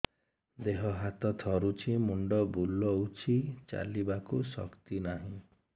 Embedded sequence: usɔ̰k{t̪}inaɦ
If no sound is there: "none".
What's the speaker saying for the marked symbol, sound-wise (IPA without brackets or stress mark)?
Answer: t̪